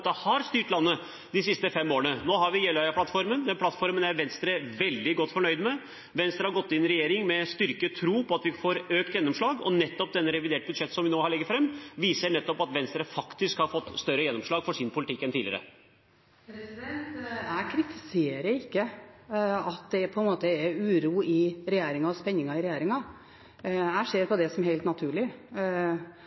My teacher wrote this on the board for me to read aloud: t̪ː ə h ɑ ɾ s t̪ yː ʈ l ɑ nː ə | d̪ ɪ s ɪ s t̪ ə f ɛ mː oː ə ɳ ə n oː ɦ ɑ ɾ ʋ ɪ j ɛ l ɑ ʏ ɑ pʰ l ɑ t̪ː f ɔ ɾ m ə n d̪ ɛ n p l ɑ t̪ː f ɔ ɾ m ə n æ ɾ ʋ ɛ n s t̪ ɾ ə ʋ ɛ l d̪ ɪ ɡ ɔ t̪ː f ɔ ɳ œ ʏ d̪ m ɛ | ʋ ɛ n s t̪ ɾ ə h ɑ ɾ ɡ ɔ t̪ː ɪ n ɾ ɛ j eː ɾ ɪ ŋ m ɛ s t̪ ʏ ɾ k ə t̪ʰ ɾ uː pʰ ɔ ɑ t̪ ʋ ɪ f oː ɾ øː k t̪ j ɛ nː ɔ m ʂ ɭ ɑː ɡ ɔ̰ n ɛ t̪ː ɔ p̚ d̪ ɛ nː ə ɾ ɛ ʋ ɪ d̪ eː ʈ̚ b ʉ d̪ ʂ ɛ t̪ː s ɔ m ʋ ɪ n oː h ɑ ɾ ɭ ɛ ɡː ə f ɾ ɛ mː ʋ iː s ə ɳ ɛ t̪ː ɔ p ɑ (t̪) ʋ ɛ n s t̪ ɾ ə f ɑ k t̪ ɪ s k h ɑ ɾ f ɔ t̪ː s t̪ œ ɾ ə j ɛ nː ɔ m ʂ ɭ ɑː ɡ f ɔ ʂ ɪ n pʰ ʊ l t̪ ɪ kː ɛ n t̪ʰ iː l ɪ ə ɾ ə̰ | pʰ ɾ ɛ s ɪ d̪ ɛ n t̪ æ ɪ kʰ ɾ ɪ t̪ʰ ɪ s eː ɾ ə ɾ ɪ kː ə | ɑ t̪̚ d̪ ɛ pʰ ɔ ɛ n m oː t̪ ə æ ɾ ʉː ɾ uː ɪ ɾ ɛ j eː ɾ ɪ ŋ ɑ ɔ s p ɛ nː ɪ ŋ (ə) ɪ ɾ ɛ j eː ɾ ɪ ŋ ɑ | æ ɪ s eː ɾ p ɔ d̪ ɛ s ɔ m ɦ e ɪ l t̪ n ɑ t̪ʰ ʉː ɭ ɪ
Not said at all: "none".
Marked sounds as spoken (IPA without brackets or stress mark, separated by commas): t̪, ɑ